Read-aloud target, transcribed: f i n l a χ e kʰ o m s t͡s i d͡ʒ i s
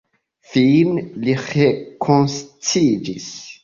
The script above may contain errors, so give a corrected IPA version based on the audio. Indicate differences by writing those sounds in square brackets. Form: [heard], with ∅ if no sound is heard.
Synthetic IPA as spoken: f i n l [i] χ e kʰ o [n] s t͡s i d͡ʒ i s